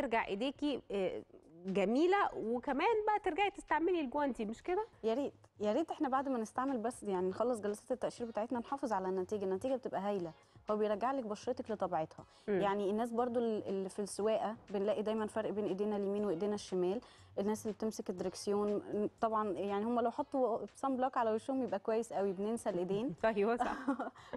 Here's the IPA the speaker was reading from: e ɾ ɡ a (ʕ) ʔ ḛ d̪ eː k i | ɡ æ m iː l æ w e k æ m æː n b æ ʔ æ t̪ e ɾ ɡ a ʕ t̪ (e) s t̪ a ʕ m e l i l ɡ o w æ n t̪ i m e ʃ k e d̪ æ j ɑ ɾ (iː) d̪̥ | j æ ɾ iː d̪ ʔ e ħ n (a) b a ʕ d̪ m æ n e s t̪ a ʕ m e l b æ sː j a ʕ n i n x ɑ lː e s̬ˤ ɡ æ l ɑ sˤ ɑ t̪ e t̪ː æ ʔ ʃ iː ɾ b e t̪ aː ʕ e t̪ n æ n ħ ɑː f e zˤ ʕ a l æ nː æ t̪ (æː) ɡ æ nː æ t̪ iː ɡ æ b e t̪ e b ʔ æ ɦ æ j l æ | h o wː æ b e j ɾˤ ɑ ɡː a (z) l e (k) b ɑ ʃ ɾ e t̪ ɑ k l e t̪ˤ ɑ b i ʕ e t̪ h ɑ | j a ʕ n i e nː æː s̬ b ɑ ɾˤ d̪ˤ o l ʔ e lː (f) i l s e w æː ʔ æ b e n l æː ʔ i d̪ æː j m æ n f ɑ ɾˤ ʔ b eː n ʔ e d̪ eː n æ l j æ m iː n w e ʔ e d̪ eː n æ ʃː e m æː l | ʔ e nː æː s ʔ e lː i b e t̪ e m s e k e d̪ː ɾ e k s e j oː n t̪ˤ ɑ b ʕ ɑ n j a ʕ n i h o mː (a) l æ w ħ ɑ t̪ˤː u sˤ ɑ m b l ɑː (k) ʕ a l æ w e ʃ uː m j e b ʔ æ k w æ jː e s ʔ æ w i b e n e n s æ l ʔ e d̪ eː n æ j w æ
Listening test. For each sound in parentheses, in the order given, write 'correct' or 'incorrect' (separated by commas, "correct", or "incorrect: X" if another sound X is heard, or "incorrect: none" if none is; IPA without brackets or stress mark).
correct, correct, correct, incorrect: æ, incorrect: iː, incorrect: ʕ, correct, correct, incorrect: æ, correct